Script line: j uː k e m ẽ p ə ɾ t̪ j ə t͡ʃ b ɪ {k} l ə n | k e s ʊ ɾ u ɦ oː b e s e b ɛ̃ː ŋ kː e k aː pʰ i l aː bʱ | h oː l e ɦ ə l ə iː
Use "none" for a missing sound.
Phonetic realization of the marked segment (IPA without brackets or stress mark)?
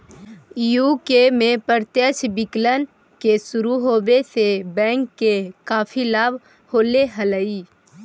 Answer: k